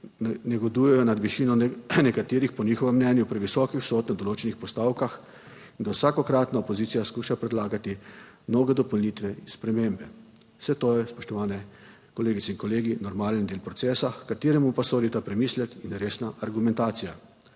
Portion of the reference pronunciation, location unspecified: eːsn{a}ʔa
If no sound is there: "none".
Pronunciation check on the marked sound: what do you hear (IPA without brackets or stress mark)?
a